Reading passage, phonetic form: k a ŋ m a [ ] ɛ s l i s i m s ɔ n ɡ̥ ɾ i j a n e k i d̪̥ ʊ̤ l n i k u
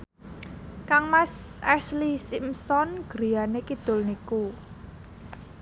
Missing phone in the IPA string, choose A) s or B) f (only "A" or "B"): A